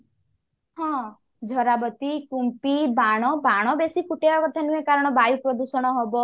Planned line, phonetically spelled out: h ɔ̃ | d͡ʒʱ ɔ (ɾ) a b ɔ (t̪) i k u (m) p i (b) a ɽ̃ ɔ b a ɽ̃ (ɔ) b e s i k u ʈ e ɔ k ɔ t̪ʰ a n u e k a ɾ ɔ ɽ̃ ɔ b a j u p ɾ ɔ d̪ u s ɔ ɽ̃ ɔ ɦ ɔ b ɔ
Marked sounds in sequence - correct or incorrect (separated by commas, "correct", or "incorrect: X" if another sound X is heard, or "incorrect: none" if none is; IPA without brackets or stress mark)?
correct, correct, correct, correct, correct